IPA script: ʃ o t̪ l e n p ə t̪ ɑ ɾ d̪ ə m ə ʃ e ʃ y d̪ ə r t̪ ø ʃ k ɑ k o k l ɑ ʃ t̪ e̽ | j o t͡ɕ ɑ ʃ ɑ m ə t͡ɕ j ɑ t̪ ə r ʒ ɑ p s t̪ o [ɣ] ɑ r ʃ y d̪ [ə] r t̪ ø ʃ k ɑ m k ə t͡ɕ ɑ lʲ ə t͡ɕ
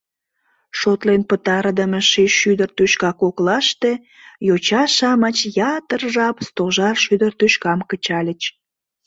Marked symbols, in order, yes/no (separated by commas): no, yes